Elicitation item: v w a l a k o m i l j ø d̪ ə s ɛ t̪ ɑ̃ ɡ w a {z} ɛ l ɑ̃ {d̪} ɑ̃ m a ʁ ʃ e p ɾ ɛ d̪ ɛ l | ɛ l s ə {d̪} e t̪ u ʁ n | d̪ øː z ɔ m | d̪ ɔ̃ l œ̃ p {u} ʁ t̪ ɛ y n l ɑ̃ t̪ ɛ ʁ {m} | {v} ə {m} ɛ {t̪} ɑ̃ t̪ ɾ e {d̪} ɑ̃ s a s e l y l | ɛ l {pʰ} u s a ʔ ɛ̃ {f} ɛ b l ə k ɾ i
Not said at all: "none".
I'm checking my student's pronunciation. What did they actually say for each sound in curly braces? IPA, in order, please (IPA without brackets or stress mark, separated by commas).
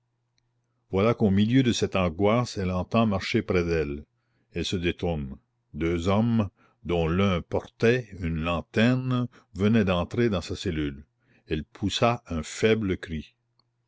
s, t̪, d̪, ɔ, n, v, n, d̪, d̪, pʰ, f